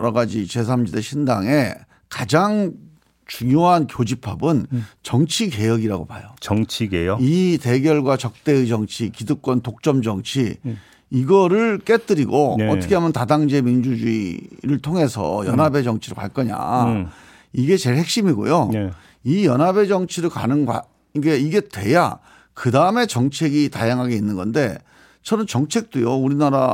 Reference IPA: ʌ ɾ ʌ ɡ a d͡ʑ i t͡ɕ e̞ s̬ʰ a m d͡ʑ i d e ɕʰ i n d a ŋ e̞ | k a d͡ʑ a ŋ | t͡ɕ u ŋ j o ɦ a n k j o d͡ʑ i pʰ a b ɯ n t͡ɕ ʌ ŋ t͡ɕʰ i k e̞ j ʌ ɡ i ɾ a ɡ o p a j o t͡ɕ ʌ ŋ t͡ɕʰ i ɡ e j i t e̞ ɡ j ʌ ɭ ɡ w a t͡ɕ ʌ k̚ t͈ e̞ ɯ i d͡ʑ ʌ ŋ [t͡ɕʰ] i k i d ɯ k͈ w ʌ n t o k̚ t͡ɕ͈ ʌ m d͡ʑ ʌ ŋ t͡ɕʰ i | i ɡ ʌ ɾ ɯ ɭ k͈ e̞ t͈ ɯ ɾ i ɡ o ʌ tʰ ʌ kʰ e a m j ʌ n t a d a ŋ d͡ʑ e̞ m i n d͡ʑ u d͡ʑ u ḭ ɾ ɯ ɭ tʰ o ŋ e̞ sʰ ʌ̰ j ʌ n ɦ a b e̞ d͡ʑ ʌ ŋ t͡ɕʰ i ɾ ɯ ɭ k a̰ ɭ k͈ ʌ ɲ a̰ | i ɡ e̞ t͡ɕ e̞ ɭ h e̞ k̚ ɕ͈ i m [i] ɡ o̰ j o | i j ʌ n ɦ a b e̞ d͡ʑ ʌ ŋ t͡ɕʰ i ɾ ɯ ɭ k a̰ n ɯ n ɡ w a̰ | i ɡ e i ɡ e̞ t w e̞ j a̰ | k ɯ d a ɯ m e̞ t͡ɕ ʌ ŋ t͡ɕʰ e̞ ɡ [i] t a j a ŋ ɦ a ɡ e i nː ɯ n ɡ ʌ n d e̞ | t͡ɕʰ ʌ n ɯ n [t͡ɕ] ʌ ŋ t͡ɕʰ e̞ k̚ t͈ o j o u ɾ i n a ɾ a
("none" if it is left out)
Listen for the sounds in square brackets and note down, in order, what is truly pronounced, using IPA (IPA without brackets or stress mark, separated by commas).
t͡ɕʰ, i, i, t͡ɕ